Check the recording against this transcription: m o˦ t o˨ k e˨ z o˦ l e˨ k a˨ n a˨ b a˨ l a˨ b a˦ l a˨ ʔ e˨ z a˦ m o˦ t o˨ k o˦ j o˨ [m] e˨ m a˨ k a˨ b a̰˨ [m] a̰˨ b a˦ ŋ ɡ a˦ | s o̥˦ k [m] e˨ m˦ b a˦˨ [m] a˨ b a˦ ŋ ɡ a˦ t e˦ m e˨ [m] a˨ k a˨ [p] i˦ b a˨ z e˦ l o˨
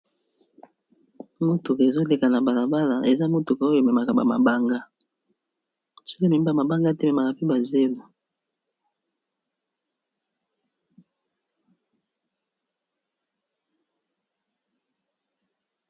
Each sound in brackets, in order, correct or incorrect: correct, correct, correct, correct, correct, correct

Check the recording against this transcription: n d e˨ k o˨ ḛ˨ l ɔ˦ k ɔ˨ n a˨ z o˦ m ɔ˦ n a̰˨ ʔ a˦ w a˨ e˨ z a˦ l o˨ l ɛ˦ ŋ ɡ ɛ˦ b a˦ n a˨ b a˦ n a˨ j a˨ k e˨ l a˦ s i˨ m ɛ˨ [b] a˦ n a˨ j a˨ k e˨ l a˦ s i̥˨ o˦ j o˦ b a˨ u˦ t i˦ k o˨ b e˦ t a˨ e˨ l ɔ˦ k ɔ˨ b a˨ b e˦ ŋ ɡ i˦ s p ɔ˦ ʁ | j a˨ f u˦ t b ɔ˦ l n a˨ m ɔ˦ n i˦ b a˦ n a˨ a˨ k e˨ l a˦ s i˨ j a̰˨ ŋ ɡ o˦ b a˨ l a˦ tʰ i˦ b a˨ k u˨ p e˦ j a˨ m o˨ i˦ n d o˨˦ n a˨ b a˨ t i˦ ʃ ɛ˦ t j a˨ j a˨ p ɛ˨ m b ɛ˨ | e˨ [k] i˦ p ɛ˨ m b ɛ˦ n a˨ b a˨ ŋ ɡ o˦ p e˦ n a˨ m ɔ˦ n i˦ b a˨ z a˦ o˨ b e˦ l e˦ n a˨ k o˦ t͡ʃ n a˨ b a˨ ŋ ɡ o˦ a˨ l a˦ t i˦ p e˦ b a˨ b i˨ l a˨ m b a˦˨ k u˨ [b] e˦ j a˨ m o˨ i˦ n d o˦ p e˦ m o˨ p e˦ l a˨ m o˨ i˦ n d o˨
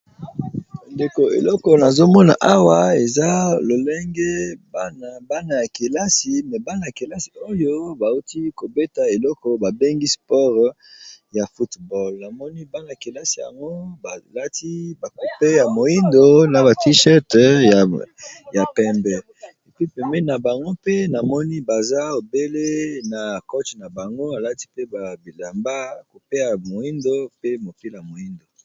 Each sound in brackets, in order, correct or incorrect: correct, incorrect, incorrect

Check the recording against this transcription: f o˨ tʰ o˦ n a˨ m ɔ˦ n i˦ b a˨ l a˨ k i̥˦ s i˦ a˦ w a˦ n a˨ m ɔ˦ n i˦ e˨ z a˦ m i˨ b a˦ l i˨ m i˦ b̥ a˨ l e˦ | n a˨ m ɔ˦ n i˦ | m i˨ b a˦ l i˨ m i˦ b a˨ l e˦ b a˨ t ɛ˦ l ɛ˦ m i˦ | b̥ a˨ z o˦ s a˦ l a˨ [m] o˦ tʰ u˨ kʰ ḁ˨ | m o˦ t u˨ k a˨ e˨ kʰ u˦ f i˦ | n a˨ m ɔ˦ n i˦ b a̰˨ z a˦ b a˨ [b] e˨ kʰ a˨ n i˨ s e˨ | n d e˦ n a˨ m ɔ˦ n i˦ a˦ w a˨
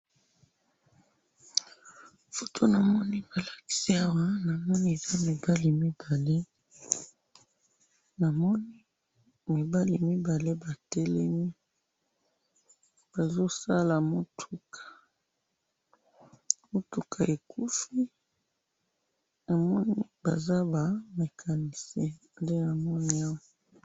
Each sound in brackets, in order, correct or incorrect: correct, incorrect

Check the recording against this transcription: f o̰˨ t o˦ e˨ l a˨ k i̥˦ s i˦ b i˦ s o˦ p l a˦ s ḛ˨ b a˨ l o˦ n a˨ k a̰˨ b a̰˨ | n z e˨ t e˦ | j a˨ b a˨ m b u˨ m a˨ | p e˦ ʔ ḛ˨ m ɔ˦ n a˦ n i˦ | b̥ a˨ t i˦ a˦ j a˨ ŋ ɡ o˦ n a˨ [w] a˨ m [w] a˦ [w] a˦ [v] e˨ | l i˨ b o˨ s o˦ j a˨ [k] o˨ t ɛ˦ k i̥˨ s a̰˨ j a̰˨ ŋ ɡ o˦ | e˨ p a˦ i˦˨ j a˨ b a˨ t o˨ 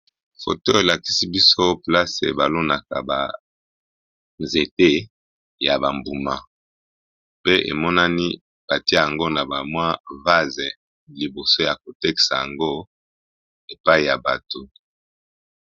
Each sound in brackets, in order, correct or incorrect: incorrect, correct, incorrect, incorrect, correct

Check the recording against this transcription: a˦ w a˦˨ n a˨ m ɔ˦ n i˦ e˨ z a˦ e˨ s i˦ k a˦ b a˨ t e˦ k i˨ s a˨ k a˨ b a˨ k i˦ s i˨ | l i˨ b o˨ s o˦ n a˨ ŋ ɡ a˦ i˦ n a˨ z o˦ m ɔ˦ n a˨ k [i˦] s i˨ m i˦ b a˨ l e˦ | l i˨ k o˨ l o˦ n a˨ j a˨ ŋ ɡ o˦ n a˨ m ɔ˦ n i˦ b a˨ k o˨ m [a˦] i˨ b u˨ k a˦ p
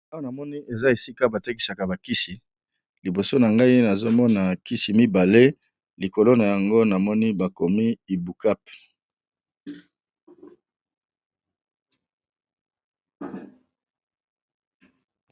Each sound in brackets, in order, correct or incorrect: correct, incorrect

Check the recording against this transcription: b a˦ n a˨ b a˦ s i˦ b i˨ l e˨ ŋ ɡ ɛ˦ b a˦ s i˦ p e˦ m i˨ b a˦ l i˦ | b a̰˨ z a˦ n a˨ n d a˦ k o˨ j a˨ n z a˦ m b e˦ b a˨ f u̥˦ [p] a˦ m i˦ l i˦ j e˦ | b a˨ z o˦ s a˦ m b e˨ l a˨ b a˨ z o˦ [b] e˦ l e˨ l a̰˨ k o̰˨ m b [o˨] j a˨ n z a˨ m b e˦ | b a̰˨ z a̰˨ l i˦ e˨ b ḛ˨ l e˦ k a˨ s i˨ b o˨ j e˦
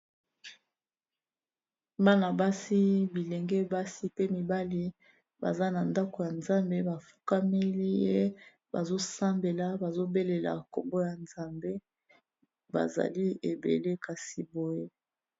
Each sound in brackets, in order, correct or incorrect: incorrect, correct, incorrect

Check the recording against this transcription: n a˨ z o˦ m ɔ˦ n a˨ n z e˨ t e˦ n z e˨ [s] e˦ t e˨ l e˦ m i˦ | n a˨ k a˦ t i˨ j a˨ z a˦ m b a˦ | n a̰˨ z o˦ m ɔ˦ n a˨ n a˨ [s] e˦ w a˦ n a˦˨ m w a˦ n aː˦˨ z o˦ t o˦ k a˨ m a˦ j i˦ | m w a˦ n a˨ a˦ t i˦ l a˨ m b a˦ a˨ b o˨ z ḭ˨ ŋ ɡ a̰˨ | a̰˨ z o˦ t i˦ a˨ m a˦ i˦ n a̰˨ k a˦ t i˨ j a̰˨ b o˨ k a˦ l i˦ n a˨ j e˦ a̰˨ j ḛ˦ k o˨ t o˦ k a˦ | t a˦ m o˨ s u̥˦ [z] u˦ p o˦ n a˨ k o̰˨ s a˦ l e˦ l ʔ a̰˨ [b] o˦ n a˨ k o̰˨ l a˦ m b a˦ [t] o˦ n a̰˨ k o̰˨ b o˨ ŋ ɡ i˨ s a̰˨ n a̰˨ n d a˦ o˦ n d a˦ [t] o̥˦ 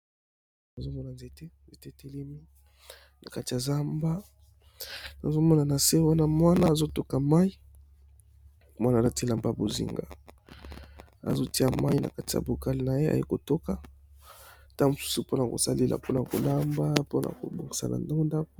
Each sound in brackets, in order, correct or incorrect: incorrect, correct, incorrect, incorrect, incorrect, incorrect

